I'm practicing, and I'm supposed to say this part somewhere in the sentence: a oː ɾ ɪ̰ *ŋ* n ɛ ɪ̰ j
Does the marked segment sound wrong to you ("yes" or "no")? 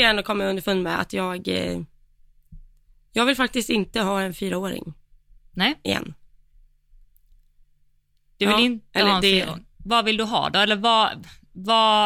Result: no